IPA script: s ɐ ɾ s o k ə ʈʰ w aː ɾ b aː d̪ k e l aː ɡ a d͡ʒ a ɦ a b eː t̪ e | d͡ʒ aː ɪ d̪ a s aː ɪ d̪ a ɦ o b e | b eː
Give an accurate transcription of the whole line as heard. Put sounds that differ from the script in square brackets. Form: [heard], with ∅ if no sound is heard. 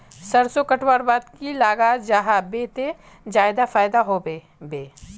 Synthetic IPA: s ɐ ɾ s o k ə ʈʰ w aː ɾ b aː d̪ k [i] l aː ɡ a d͡ʒ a ɦ a b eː t̪ e | d͡ʒ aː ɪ d̪ a [f] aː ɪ d̪ a ɦ o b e | b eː